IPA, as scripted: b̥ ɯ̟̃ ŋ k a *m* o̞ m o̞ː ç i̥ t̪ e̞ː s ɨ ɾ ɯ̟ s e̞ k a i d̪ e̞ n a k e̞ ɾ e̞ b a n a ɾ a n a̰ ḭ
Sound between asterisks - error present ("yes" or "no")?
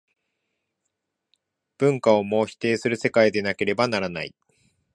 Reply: yes